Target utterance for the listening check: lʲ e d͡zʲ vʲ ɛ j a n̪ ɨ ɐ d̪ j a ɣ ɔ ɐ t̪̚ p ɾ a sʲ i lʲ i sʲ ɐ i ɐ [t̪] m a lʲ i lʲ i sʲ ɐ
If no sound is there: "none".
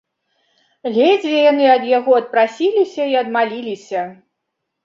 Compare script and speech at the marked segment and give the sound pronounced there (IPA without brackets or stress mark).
d̪